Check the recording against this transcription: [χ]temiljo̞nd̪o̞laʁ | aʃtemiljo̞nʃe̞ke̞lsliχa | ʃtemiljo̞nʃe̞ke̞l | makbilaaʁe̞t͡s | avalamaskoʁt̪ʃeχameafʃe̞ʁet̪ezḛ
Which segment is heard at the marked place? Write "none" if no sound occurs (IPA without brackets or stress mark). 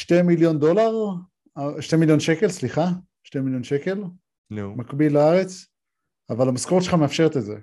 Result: ʃ